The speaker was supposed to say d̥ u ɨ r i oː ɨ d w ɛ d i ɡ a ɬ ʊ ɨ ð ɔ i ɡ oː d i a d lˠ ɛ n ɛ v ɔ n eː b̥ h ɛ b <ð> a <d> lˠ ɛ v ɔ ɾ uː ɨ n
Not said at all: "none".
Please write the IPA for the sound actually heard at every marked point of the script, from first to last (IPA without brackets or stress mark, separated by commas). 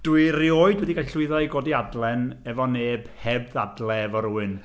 ð, d